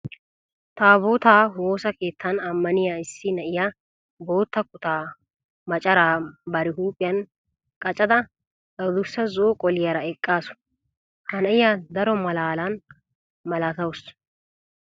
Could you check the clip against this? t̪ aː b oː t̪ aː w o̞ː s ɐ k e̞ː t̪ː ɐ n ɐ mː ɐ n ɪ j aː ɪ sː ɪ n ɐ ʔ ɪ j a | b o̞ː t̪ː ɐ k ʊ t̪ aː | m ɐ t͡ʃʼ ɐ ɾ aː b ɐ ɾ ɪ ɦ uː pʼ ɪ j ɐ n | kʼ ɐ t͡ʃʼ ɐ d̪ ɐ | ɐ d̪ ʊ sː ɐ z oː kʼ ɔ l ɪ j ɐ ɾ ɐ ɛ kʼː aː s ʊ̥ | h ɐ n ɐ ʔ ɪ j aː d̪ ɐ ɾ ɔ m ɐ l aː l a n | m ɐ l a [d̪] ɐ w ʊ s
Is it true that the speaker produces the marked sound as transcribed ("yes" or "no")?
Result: no